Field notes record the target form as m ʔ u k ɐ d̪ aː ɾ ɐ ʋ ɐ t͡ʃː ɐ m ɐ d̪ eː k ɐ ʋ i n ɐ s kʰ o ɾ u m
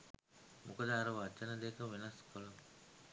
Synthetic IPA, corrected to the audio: m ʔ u k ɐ d̪ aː ɾ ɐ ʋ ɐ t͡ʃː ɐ n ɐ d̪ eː k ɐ ʋ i n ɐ s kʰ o l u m